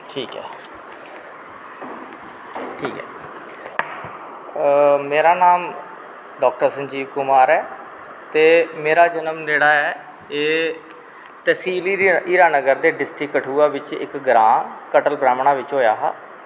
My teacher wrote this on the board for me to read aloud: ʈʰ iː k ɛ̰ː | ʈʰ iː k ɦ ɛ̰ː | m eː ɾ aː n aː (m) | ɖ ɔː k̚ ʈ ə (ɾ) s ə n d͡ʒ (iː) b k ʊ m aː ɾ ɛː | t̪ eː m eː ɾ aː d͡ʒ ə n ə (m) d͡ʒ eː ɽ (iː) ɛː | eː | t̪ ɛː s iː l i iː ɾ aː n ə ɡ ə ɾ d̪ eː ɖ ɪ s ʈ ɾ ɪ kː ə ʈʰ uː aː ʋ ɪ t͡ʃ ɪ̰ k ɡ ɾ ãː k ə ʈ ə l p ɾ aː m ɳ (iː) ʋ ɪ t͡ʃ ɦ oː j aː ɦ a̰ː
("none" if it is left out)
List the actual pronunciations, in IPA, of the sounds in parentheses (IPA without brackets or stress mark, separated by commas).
m, ɾ, iː, m, aː, aː